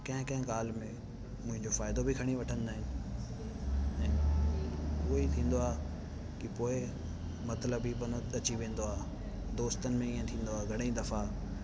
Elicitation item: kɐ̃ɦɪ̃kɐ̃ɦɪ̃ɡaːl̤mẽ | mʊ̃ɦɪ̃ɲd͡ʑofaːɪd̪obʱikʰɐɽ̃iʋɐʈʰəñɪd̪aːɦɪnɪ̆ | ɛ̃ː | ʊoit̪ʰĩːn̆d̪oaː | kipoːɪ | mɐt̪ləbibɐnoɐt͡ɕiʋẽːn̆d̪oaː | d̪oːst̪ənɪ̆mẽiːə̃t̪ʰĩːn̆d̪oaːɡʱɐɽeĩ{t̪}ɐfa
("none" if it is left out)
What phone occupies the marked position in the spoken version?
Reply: d̪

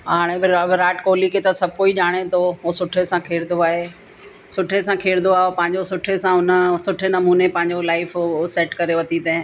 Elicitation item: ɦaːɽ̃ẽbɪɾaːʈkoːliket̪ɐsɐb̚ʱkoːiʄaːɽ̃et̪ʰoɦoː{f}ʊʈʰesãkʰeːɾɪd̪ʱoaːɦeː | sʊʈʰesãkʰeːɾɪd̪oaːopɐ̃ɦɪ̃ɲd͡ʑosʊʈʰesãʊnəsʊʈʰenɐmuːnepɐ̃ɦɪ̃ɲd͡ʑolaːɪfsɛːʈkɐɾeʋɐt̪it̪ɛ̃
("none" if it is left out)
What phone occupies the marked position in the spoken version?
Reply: s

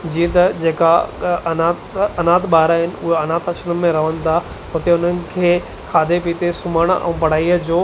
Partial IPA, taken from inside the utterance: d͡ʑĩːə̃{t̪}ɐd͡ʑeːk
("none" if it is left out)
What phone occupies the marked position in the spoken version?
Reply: t̪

